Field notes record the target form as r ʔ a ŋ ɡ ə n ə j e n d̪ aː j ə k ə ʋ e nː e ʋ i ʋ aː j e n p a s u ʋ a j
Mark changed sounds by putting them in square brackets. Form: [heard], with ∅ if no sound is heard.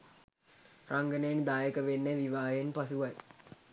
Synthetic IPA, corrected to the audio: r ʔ a ŋ ɡ ə n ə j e n d̪ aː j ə k ə ʋ e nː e ʋ i ʋ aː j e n p a s u ʋ a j